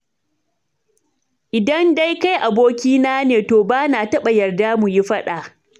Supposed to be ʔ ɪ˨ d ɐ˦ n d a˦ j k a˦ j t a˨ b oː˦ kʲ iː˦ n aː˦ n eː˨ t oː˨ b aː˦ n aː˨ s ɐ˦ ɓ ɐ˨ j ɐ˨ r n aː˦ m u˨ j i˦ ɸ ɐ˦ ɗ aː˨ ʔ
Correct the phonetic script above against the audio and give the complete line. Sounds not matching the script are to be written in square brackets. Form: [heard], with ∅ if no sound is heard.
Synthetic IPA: ʔ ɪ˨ d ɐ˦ n d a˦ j k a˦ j [ʔ] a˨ b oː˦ kʲ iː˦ n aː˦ n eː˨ t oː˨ b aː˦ n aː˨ [t] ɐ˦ ɓ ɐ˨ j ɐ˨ r [d] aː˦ m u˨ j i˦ ɸ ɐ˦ ɗ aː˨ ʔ